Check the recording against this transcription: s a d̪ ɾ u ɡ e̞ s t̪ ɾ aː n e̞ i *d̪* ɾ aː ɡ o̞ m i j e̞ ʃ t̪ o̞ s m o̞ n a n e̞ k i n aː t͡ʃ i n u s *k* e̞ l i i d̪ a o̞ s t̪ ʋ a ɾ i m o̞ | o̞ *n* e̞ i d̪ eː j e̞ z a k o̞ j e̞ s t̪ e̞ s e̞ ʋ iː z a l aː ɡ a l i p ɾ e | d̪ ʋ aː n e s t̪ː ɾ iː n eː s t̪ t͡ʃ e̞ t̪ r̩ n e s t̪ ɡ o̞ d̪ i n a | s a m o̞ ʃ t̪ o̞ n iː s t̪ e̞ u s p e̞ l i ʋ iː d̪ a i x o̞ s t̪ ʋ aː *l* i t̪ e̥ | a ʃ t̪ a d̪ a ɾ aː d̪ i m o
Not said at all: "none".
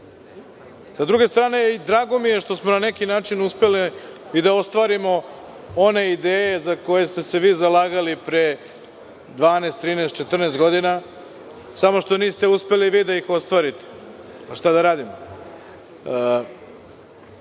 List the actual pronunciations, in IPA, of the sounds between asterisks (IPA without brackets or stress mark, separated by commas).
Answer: d̪, p, n, ɾ